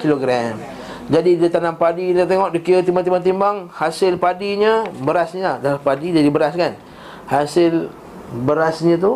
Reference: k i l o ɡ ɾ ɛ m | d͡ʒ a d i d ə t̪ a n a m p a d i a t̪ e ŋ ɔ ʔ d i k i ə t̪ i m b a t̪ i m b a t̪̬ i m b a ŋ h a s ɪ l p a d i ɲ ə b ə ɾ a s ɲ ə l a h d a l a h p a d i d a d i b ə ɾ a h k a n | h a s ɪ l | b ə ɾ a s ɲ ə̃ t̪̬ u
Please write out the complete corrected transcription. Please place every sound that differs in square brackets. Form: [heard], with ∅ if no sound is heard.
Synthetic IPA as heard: k i l o ɡ ɾ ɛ m | d͡ʒ a d i d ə t̪ a n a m p a d i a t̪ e ŋ ɔ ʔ d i k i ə t̪ i m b a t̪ i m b a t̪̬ i m b a ŋ h a s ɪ l p a d i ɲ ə b ə ɾ a s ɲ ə l a h d a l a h p a d i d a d i b ə ɾ a [s] k a n | h a s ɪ l | b ə ɾ a s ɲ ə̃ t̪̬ u